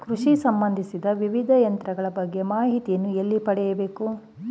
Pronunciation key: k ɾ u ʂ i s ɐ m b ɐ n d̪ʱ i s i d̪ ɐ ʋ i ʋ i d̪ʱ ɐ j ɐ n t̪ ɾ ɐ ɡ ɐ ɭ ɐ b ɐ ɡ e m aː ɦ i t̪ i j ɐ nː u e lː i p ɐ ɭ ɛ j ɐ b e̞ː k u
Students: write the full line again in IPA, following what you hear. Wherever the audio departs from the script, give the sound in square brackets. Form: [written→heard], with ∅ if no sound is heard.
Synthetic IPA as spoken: k ɾ u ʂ i s ɐ m b ɐ n d̪ʱ i s i d̪ ɐ ʋ i ʋ i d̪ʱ ɐ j ɐ n t̪ ɾ ɐ ɡ ɐ ɭ ɐ b ɐ [ɡ→ɡː] e m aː ɦ i t̪ i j ɐ nː u e lː i p ɐ [ɭ→ɽ] ɛ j ɐ b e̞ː k u